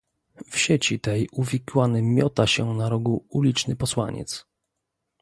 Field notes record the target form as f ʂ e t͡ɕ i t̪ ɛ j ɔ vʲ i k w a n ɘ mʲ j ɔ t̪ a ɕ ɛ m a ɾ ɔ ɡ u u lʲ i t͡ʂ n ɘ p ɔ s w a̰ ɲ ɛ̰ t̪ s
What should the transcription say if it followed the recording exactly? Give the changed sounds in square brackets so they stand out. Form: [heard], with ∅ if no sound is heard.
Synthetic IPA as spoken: f [ɕ] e t͡ɕ i t̪ ɛ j [u] vʲ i k w a n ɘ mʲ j ɔ t̪ a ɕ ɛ [n] a ɾ ɔ ɡ u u lʲ i t͡ʂ n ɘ p ɔ s w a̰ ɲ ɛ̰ t̪ s